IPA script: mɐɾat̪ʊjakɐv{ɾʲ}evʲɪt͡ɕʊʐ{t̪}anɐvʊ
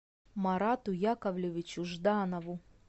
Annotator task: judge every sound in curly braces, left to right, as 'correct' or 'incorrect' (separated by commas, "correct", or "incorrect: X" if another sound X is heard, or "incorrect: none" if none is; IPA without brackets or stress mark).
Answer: incorrect: lʲ, incorrect: d̪